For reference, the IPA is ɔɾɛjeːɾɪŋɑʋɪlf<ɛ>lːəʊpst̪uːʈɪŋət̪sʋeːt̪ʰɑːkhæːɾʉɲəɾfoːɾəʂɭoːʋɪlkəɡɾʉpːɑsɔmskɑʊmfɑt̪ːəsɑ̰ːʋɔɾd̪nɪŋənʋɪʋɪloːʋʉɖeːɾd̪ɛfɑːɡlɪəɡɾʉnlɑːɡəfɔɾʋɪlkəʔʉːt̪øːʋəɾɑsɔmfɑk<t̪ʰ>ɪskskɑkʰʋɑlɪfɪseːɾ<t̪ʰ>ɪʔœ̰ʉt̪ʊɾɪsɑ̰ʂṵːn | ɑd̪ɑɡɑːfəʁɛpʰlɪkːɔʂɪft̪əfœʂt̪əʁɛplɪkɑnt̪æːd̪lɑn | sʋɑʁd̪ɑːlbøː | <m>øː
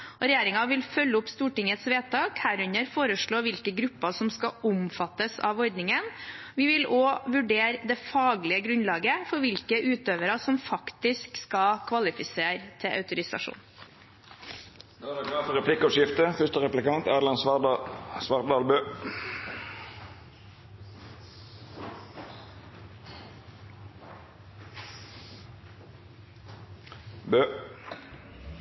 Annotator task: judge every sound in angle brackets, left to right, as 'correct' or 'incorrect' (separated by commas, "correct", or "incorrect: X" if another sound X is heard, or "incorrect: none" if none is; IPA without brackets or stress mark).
incorrect: œ, incorrect: t̪, correct, incorrect: b